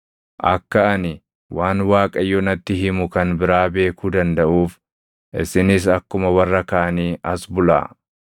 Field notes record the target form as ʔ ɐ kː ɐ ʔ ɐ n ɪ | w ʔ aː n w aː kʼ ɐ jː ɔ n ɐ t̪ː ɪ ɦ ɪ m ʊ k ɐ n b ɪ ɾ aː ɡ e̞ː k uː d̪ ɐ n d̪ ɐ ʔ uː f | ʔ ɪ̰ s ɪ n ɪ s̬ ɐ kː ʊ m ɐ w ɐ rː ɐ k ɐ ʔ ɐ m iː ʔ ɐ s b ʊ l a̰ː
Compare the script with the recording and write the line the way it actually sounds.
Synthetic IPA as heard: ʔ ɐ kː ɐ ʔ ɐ n ɪ | w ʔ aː n w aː kʼ ɐ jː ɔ n ɐ t̪ː ɪ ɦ ɪ m ʊ k ɐ n b ɪ ɾ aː b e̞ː k uː d̪ ɐ n d̪ ɐ ʔ uː f | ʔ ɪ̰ s ɪ n ɪ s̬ ɐ kː ʊ m ɐ w ɐ rː ɐ k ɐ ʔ ɐ n iː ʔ ɐ s b ʊ l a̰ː

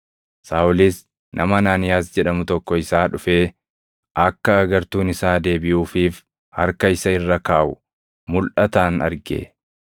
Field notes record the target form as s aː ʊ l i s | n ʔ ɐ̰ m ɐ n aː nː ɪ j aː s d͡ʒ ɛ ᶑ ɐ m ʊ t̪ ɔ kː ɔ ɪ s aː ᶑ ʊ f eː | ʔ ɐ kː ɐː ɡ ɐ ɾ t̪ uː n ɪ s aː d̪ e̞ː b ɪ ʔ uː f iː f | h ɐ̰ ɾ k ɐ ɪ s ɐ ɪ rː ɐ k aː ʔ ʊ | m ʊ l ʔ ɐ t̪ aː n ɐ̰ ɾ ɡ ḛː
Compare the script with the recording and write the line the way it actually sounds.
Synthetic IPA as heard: s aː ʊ l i s | n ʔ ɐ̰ m ɐ n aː n ɪ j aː s d͡ʒ ɛ ᶑ ɐ m ʊ t̪ ɔ kː ɔ ɪ s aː ᶑ ʊ f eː | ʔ ɐ kː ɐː ɡ ɐ ɾ t̪ uː n ɪ s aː d̪ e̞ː b ɪ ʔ uː f iː f | h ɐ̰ ɾ k ɐ ɪ s ɐ ɪ rː ɐ k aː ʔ ʊ | m ʊ l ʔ ɐ t̪ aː n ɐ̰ ɾ ɡ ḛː

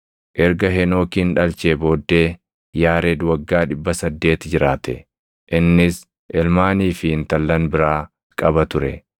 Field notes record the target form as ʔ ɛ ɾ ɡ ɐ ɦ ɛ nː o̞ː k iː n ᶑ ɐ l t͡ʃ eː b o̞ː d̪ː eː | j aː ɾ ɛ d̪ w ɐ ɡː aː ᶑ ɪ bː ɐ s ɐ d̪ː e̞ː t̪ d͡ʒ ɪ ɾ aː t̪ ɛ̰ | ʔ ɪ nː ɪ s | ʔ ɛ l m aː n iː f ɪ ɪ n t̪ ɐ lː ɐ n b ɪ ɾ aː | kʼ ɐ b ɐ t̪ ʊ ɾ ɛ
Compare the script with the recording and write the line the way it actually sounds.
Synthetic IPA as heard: ʔ ɛ ɾ ɡ ɐ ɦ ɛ n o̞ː k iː n ᶑ ɐ l t͡ʃ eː b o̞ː d̪ː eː | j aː ɾ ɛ d̪ w ɐ ɡː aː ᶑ ɪ bː ɐ s ɐ d̪ː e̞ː t̪ d͡ʒ ɪ ɾ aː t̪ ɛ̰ | ʔ ɪ nː ɪ s | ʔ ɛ l m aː n iː f ɪ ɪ n t̪ ɐ lː ɐ n b ɪ ɾ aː | kʼ ɐ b ɐ t̪ ʊ ɾ ɛ

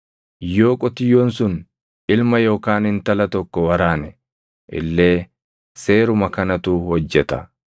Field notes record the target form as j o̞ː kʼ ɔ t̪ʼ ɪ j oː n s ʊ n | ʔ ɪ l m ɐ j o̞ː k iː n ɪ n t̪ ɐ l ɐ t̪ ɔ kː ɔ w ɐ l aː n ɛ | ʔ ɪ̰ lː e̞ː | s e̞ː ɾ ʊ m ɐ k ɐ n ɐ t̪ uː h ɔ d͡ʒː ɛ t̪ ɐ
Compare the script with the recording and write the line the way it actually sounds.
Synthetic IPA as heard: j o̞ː kʼ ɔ t̪ ɪ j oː n s ʊ n | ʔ ɪ l m ɐ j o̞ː k aː n ɪ n t̪ ɐ l ɐ t̪ ɔ kː ɔ w ɐ ɾ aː n ɛ | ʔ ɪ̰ lː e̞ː | s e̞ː ɾ ʊ m ɐ k ɐ n ɐ t̪ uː h ɔ d͡ʒː ɛ t̪ ɐ

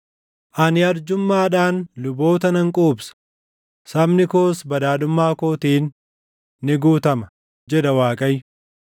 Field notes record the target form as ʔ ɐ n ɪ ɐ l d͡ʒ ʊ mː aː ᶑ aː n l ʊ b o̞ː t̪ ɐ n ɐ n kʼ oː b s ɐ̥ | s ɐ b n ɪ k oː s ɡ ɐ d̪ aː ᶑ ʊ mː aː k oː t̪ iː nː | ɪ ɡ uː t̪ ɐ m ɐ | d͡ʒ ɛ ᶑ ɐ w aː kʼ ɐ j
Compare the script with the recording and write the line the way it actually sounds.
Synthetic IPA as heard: ʔ ɐ n ɪ ɐ ɾ d͡ʒ ʊ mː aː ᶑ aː n l ʊ b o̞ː t̪ ɐ n ɐ ŋ kʼ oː b s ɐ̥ | s ɐ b n ɪ k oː s b ɐ d̪ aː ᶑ ʊ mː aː k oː t̪ iː nː | ɪ ɡ uː t̪ ɐ m ɐ | d͡ʒ ɛ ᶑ ɐ w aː kʼ ɐ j

